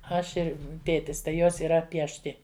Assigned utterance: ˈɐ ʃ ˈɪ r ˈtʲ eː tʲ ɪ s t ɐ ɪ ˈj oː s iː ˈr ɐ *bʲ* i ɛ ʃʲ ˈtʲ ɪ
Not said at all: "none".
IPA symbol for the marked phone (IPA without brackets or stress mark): pʲ